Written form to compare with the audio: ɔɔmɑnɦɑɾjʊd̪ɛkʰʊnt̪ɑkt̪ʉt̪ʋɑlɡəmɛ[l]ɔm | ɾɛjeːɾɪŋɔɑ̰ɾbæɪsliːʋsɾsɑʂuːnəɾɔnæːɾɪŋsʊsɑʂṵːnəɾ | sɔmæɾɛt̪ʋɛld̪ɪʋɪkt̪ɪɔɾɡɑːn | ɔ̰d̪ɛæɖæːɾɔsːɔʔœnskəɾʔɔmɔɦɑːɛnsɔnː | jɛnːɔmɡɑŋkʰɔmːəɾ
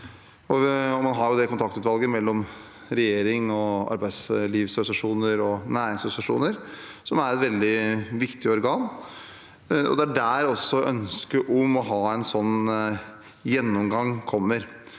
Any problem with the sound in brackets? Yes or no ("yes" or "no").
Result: yes